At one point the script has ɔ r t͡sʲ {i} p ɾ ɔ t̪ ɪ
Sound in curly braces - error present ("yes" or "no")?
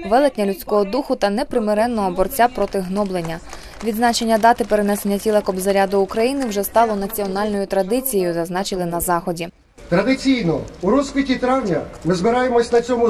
yes